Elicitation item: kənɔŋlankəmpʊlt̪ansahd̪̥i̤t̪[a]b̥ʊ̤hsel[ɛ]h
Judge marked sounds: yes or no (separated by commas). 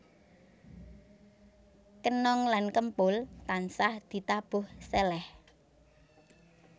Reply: yes, yes